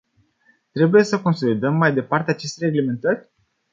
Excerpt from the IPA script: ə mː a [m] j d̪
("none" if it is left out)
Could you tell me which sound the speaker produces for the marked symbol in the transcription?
none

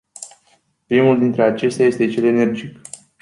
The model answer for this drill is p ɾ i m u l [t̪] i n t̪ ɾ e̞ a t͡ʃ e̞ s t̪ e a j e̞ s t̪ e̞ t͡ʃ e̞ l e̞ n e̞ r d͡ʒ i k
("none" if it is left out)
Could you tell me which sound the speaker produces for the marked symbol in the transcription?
d̪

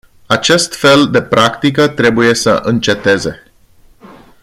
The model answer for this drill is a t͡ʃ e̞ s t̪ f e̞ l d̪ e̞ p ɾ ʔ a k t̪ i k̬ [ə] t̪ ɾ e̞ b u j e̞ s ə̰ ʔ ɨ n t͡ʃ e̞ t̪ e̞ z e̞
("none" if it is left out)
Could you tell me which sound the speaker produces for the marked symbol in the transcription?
ə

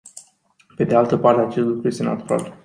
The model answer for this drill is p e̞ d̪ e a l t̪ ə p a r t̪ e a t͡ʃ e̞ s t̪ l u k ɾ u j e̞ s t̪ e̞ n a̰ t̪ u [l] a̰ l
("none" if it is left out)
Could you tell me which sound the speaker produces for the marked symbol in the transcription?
ɾ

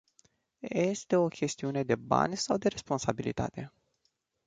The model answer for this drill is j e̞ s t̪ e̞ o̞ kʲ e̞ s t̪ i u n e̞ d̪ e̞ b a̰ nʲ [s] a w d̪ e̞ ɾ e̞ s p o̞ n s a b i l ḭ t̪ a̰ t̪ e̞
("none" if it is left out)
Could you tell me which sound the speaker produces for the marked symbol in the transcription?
s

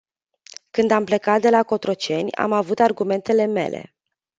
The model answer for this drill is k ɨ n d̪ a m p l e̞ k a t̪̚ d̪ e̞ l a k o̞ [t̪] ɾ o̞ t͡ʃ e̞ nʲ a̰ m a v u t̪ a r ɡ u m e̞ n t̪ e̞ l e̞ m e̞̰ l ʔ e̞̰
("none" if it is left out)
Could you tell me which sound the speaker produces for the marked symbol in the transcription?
t̪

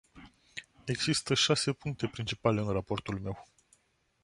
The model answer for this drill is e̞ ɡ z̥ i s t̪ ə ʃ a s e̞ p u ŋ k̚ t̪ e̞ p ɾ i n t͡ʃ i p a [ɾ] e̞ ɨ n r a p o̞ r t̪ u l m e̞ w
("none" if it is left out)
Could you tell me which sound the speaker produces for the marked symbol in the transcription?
l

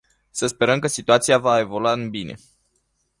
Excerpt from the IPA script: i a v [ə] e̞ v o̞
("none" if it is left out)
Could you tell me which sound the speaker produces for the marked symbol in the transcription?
a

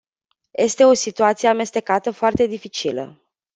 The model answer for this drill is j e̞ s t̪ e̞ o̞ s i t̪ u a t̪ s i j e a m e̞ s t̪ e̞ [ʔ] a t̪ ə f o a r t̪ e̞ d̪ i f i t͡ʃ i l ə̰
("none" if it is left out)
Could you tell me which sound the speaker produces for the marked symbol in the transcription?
k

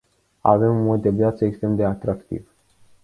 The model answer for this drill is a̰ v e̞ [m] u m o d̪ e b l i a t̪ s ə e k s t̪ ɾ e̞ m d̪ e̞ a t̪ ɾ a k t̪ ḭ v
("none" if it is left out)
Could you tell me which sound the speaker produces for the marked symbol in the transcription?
m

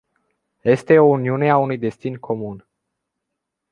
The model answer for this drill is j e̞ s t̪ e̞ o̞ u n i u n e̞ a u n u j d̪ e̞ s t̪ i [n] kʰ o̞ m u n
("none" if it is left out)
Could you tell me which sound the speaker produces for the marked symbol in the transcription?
n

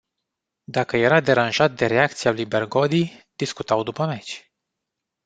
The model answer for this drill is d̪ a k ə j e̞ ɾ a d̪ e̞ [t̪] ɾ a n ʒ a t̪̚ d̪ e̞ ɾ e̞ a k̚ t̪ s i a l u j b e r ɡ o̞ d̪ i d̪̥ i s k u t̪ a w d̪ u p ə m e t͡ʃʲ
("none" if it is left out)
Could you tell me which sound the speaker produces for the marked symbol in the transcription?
none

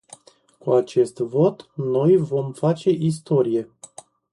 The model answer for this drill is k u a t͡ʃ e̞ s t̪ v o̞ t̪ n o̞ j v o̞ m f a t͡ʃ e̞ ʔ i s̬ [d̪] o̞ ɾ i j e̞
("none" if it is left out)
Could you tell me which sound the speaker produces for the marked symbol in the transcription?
t̪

